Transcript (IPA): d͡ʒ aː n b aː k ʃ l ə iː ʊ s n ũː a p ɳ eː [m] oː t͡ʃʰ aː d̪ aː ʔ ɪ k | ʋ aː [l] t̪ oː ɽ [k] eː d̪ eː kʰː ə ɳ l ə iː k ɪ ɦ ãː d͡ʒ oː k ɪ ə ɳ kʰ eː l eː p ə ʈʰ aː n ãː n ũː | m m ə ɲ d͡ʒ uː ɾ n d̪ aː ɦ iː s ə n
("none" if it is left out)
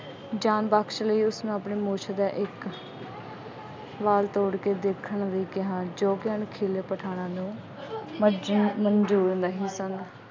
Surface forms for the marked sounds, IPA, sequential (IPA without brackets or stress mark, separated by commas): m, l, k